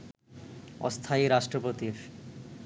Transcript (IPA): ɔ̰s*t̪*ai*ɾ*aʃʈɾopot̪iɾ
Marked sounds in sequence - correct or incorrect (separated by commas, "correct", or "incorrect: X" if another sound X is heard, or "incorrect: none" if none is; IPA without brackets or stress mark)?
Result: incorrect: t̪ʰ, correct